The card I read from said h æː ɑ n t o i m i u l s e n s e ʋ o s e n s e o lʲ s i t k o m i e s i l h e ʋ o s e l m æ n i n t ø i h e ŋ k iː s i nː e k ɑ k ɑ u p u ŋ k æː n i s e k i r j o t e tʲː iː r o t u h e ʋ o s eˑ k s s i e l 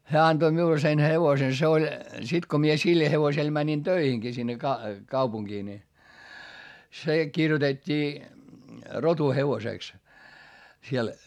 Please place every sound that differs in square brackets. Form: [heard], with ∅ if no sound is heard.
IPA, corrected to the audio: h æː ɑ n t o i m i u l s e n [h] e ʋ o s e n s e o lʲ s i t k o m i e s i l h e ʋ o s e l m æ n i n t ø i h e ŋ k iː s i nː e k ɑ k ɑ u p u ŋ k [iː] n i s e k i r j o t e tʲː iː r o t u h e ʋ o s eˑ k s s i e l